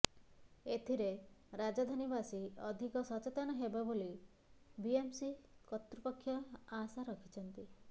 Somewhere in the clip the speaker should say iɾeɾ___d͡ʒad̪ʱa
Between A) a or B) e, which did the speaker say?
A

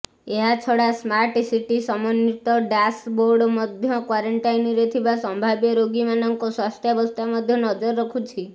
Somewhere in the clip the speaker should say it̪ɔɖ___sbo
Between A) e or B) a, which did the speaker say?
B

